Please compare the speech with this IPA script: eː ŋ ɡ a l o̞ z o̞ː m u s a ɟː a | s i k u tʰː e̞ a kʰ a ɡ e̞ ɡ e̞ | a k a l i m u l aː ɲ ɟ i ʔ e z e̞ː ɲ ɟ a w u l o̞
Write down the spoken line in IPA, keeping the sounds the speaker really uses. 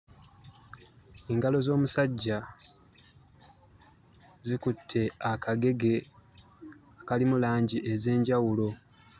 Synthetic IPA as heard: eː ŋ ɡ a l o̞ z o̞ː m u s a ɟː a | z i k u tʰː e̞ a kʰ a ɡ e̞ ɡ e̞ | a k a l i m u l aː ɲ ɟ i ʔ e z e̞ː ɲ ɟ a w u l o̞